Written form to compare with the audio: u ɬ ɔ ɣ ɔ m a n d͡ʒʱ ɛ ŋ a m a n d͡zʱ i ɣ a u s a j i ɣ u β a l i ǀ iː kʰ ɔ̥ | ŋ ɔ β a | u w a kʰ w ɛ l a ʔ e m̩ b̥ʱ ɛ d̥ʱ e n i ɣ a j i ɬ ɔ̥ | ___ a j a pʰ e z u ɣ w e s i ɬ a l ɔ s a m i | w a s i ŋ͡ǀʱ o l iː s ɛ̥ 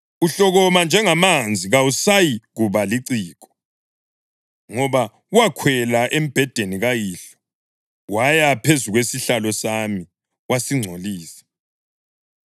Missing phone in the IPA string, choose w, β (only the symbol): w